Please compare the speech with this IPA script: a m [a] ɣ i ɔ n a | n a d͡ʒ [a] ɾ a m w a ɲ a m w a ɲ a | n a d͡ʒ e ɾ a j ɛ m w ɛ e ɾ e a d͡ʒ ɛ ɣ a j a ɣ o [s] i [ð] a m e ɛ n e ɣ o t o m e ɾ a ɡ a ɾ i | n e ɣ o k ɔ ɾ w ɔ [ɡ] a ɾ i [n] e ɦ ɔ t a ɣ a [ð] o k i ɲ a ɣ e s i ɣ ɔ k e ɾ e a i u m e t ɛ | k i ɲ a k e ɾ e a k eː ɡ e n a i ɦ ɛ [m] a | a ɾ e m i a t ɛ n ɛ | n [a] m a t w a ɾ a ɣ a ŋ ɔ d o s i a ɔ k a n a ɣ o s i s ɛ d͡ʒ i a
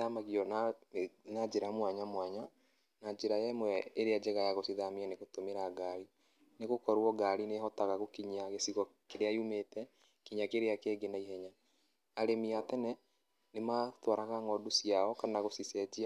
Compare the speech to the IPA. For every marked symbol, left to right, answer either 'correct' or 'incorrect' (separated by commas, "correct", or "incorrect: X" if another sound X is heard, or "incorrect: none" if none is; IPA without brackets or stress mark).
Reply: correct, incorrect: e, correct, correct, correct, correct, incorrect: ɣ, incorrect: ɲ, incorrect: e